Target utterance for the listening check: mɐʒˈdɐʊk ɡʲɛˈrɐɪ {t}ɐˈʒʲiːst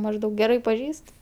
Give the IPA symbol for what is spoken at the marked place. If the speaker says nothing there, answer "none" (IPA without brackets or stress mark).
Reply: p